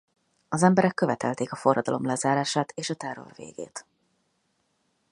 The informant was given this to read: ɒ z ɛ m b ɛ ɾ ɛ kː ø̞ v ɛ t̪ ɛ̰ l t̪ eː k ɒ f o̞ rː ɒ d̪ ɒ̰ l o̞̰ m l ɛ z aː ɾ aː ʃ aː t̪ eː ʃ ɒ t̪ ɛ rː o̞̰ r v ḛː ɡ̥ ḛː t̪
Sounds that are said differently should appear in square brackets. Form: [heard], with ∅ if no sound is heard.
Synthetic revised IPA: ɒ z ɛ m b ɛ ɾ ɛ kː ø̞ v ɛ t̪ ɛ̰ l t̪ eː k ɒ f o̞ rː ɒ d̪ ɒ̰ l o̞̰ m l ɛ z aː ɾ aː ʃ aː t̪ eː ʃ ɒ t̪ ɛ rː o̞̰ r v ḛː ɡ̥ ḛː t̪